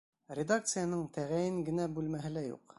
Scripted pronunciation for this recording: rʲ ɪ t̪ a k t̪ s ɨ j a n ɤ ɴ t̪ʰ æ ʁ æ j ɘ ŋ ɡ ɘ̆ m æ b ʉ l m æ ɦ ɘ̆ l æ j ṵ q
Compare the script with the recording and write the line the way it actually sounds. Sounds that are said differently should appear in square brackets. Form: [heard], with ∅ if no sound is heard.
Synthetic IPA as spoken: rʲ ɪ [d̪] a k t̪ s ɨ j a n ɤ ɴ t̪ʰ æ ʁ æ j ɘ ŋ ɡ ɘ̆ [n] æ b ʉ l m æ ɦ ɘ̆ l æ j ṵ q